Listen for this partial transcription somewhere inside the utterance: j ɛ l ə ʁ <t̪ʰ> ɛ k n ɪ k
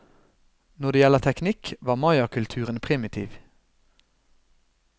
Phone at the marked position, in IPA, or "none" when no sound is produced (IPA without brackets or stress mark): t̪ʰ